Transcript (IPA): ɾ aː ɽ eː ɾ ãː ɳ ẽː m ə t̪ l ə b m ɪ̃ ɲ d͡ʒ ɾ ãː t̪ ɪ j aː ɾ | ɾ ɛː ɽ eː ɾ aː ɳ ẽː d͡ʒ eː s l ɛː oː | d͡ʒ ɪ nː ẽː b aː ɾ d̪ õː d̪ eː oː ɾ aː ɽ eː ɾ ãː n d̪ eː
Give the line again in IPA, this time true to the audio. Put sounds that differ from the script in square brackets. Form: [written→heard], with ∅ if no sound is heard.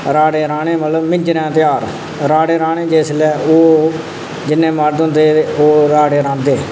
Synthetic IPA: ɾ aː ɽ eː ɾ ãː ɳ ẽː m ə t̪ l ə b m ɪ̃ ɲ d͡ʒ ɾ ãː t̪ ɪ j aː ɾ | ɾ [ɛː→aː] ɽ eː ɾ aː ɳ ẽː d͡ʒ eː s l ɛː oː | d͡ʒ ɪ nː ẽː [b→m] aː ɾ d̪ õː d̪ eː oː ɾ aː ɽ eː ɾ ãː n d̪ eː